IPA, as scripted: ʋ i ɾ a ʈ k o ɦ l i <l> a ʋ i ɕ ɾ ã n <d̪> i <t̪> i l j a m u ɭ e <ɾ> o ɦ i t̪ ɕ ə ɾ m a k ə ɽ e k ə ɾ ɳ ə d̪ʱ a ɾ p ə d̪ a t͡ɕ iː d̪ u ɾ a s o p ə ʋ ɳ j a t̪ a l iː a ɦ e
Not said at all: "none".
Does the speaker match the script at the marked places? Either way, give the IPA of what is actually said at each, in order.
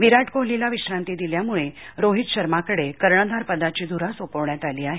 l, t̪, d̪, ɾ

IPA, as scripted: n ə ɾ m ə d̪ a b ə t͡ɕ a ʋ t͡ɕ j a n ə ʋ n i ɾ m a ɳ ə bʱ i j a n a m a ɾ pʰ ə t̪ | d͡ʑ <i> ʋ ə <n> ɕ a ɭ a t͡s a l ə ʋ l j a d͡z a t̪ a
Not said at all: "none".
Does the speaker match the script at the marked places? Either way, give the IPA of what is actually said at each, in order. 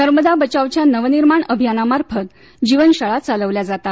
i, n

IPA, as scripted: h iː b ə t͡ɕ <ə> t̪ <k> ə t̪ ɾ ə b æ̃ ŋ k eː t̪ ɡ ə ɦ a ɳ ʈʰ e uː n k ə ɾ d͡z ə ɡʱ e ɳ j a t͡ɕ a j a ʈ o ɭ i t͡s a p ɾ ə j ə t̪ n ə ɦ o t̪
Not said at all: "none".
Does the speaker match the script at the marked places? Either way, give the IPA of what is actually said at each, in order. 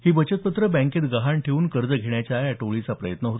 ə, p

